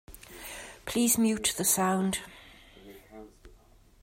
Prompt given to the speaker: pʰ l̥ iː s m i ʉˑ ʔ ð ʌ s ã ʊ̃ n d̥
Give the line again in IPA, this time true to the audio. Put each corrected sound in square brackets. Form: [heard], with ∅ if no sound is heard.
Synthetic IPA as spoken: pʰ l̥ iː [z] m [j] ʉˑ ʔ ð [ə] s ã ʊ̃ n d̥